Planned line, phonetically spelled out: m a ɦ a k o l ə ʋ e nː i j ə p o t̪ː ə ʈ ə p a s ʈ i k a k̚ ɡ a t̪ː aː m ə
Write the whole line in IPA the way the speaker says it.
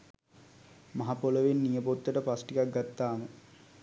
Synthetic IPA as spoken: m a ɦ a p o l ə ʋ e nː i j ə p o t̪ː ə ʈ ə p a s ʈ i k a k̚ ɡ a t̪ː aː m ə